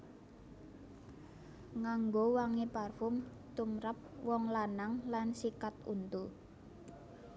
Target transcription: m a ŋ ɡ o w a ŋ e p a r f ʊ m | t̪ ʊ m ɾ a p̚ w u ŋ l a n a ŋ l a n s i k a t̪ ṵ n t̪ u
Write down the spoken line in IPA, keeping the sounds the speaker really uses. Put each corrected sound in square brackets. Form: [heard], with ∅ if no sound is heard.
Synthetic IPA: [ŋ] a ŋ ɡ o w a ŋ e p a r f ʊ m | t̪ [u] m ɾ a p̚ w [ɔ] ŋ l a n a ŋ l a n s i k a t̪ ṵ n t̪ u

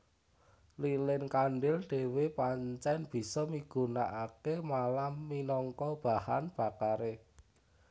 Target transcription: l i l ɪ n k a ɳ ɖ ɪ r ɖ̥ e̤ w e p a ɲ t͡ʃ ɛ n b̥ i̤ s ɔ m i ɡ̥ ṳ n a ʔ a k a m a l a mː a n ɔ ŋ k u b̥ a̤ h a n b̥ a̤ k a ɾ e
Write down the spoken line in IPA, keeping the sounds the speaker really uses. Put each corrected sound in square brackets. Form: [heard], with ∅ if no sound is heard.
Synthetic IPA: l i l ɪ n k a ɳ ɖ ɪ [l] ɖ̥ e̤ w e p a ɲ t͡ʃ ɛ n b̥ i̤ s ɔ m i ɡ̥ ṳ n a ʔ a k [e] m a l a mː [i] n ɔ ŋ k [ɔ] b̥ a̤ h a n b̥ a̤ k a ɾ e

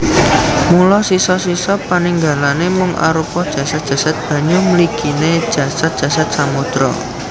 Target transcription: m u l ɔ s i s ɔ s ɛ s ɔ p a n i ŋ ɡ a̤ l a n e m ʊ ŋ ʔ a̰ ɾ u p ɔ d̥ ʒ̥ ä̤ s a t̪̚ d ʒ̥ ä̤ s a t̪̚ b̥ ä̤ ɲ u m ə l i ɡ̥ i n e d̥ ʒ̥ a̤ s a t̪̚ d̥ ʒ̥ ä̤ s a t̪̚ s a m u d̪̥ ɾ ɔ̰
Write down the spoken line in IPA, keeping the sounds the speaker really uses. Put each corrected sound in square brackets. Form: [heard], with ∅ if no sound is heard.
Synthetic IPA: m u l ɔ s i s ɔ s [i] s ɔ p a n i ŋ ɡ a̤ l a n e m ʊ ŋ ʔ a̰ ɾ u p ɔ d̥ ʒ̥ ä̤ s a t̪̚ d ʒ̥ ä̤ s a t̪̚ b̥ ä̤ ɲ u m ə l i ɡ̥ i n e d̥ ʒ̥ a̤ s a t̪̚ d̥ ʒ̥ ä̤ s a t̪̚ s a m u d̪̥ ɾ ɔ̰

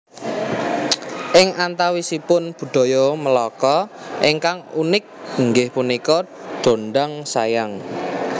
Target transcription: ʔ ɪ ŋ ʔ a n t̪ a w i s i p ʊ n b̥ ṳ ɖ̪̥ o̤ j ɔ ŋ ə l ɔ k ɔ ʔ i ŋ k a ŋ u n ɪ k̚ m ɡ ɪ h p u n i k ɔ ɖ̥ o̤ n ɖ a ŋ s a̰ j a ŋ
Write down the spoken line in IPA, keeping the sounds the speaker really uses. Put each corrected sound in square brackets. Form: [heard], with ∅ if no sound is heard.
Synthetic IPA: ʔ ɪ ŋ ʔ a n t̪ a w i s i p ʊ n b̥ ṳ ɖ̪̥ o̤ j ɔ [m] ə l ɔ k ɔ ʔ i ŋ k a ŋ u n ɪ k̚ [ŋ] ɡ ɪ h p u n i k ɔ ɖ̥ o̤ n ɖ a ŋ s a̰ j a ŋ

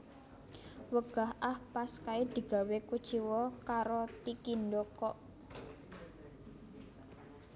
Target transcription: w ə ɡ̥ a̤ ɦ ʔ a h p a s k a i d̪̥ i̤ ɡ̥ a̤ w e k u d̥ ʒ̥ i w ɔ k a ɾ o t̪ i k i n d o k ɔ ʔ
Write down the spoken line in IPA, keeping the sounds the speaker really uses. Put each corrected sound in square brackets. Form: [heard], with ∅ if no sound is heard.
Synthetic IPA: w ə ɡ̥ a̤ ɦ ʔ a h p a s k a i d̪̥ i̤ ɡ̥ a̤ w e k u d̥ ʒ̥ i w ɔ k a ɾ o t̪ i k i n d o k ɔ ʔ

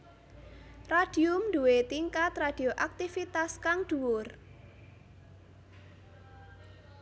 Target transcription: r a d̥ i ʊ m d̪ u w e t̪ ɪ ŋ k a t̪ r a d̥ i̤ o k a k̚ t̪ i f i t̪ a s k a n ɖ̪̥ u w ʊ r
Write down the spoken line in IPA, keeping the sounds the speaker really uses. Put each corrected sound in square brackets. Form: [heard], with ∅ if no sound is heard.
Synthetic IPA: r a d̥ i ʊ m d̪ u w e t̪ [i] ŋ k a t̪ r a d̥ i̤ o [ʔ] a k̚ t̪ i f i t̪ a s k a [ŋ] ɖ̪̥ u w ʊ r

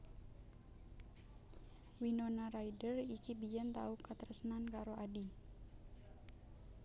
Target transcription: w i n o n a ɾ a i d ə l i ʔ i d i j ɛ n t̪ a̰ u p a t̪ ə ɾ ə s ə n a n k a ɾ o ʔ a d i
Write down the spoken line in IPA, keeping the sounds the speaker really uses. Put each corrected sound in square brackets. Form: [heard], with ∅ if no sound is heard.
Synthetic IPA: w i n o n a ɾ a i d ə [r] i [k] i [b] i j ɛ n t̪ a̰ u [k] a t̪ ə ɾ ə s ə n a n k a ɾ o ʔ a d i

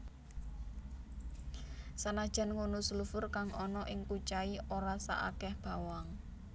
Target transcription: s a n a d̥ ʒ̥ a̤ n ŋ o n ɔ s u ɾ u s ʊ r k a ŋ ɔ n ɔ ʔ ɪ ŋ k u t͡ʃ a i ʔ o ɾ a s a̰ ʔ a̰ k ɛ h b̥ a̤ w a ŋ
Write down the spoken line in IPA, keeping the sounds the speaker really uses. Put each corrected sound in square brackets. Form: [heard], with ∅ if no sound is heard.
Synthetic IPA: s a n a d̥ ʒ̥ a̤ n ŋ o n [u] s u [l] u [f] ʊ r k a ŋ ɔ n ɔ ʔ ɪ ŋ k u t͡ʃ a i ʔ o ɾ a s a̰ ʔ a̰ k ɛ h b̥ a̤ w a ŋ

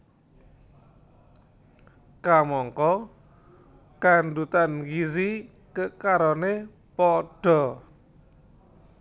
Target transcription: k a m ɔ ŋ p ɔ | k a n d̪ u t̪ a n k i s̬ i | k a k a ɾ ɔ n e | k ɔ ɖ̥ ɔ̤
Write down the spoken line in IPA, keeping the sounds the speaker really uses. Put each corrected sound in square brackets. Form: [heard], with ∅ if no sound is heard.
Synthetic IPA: k a m ɔ ŋ [k] ɔ | k a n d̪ u t̪ a n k i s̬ i | k [ə] k a ɾ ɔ n e | [p] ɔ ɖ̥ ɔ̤

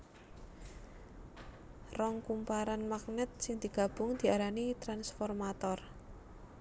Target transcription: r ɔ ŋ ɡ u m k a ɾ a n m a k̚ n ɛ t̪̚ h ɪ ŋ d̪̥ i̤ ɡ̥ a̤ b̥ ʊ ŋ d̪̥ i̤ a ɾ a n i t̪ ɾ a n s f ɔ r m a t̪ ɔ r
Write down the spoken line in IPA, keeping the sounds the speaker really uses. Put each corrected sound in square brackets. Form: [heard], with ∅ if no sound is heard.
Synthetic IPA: r ɔ ŋ [k] u m [p] a ɾ a n m a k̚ n ɛ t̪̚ [s] ɪ ŋ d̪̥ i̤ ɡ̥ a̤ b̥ ʊ ŋ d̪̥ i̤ a ɾ a n i t̪ ɾ a n s f ɔ r m a t̪ ɔ r

